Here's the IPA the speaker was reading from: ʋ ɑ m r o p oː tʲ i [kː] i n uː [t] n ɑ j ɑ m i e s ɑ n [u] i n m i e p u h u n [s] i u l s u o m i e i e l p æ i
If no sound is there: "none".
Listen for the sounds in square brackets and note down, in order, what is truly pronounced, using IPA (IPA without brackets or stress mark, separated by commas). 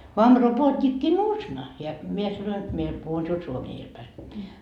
kː, s, o, s